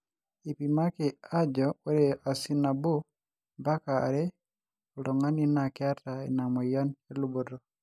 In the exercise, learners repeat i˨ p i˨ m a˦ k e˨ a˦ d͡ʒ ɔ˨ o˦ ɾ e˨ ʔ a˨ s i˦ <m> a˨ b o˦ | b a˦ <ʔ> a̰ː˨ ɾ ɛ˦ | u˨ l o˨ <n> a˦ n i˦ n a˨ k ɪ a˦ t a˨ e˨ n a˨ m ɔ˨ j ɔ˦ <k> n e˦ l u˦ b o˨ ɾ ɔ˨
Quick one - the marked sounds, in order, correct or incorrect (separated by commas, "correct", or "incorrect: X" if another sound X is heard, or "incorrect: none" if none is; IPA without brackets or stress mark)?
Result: incorrect: n, incorrect: k, incorrect: ŋ, incorrect: none